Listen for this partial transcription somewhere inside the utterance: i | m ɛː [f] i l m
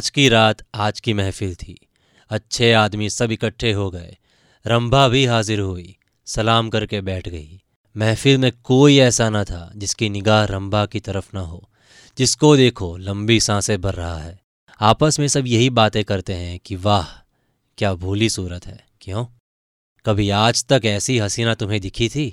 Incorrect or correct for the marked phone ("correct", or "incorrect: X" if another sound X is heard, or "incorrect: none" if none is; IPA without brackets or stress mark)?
correct